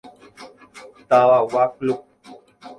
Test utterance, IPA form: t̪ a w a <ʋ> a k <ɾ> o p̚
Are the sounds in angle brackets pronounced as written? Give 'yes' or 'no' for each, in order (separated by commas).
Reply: no, no